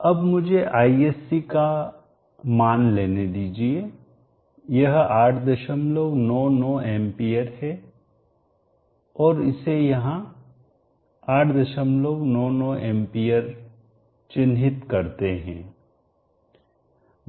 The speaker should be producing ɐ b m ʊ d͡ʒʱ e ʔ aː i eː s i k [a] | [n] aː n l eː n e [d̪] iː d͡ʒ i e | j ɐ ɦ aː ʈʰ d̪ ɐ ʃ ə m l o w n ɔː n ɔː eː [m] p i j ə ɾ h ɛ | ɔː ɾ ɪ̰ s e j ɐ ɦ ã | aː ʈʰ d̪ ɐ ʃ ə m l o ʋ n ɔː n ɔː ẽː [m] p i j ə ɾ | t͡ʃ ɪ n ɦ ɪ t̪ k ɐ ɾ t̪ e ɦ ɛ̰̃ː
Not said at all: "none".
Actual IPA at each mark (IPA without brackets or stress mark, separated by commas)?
a, m, d̪, m, m